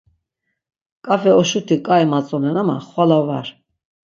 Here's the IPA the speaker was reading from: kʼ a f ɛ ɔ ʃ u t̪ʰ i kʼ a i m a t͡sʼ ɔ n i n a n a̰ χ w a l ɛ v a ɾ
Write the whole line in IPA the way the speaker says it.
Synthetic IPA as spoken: kʼ a f ɛ ɔ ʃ u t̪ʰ i kʼ a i m a t͡sʼ ɔ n ɛ n a m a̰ χ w a l a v a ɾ